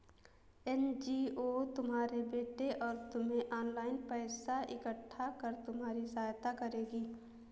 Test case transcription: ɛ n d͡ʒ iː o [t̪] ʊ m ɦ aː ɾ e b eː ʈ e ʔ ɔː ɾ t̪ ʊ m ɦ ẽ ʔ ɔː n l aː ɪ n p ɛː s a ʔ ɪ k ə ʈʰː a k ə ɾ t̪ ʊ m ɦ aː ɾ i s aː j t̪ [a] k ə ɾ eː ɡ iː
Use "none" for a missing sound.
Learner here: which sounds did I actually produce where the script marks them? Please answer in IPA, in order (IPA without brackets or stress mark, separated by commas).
t̪, a